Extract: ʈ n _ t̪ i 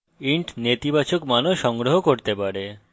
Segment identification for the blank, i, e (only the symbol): e